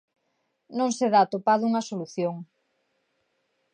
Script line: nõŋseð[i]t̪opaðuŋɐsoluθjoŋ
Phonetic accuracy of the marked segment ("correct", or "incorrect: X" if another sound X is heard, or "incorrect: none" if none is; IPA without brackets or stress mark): incorrect: a